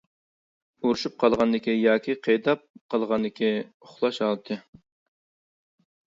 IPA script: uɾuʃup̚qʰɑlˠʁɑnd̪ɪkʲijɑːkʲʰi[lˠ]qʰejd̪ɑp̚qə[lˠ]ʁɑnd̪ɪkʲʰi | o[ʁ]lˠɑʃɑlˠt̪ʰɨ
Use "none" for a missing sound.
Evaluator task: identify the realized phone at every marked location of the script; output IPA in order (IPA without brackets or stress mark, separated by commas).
none, lˠ, χ